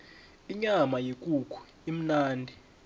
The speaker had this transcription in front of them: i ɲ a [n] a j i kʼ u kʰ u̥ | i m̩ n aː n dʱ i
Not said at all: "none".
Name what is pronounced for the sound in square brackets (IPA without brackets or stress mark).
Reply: m